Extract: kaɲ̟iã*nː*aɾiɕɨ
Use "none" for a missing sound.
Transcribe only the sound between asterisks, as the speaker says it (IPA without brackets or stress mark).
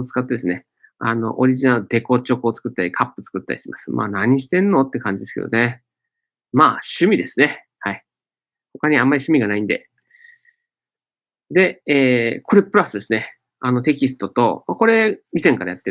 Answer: mː